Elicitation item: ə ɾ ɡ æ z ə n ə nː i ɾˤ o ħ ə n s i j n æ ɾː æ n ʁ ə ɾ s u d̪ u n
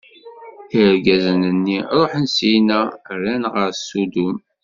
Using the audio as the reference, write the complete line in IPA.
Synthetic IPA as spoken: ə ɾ ɡ æ z ə n ə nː i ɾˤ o ħ ə n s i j n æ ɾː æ n ʁ ə ɾ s u d̪ u m